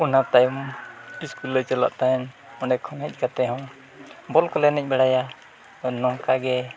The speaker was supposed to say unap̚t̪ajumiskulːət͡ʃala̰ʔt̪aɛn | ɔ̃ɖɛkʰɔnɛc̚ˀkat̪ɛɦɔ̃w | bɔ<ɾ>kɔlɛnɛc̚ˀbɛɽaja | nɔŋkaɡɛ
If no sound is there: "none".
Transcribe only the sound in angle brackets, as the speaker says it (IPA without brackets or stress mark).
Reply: l